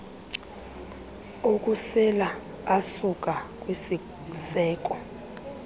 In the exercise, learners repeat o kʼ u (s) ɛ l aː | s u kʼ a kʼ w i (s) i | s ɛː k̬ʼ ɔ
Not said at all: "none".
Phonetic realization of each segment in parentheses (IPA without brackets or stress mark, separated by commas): s, s